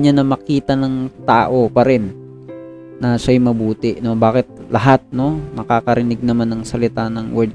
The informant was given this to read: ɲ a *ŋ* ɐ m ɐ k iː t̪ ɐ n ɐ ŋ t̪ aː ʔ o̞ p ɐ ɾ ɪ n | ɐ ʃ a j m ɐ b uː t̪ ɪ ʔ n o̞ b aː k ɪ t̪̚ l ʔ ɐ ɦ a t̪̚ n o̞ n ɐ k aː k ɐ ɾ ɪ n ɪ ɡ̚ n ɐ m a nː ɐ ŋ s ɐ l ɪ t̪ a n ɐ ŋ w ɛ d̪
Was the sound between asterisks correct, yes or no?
no